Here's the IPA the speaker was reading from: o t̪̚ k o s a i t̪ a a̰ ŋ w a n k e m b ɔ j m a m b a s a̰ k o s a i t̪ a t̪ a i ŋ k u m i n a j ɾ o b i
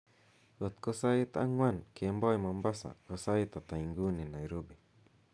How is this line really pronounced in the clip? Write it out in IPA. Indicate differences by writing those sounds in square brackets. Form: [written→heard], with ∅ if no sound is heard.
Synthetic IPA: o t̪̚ k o s a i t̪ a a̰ ŋ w a n k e m b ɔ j m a m b a s a̰ k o s a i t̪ a t̪ a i ŋ [k→ɡ] u [m→n] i n a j ɾ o b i